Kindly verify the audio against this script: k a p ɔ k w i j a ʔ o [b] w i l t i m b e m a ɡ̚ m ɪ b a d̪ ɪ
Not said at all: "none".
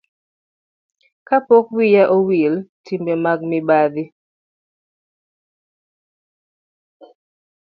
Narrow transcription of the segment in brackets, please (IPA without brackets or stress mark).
none